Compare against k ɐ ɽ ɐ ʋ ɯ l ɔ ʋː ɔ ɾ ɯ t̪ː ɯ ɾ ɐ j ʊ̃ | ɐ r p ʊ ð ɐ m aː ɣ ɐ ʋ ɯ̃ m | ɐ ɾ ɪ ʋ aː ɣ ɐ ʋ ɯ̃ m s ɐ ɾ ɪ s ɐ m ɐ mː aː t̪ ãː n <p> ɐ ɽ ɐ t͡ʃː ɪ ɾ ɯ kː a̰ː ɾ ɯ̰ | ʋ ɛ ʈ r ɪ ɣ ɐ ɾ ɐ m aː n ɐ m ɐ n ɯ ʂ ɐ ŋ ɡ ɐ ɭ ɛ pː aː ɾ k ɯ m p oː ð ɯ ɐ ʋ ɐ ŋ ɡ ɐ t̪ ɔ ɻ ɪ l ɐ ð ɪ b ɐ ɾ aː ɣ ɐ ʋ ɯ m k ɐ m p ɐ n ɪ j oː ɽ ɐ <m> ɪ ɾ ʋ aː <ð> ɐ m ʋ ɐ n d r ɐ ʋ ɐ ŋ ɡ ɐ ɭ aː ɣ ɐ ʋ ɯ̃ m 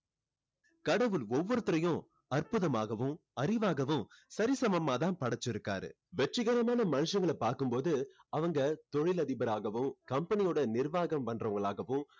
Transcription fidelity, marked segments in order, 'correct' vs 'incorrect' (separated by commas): correct, incorrect, incorrect